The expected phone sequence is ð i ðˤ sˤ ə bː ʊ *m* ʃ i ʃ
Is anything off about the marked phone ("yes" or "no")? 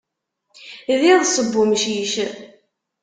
no